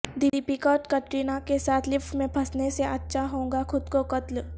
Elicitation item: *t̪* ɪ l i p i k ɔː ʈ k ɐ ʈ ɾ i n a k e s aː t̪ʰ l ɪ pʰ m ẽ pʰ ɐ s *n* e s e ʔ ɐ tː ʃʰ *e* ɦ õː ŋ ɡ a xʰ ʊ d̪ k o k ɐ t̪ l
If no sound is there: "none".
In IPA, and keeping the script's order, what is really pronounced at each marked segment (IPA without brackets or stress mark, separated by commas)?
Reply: d̪, n, a